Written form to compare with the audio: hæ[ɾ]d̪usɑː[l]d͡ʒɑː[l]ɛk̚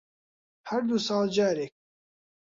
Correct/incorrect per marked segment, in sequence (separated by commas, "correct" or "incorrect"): correct, correct, incorrect